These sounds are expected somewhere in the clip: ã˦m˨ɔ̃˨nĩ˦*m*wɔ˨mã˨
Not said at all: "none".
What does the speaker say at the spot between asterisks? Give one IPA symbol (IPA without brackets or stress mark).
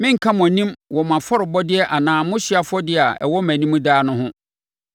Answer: m